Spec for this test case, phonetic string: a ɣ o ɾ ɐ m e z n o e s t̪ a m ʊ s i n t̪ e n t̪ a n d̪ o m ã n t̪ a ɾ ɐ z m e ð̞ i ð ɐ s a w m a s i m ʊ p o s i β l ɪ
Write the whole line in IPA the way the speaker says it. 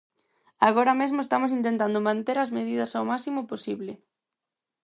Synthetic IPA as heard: a ɣ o ɾ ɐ m e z m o e s t̪ a m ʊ s i n t̪ e n t̪ a n d̪ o m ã n t̪ e ɾ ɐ z m e ð̞ i ð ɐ s a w m a s i m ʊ p o s i β l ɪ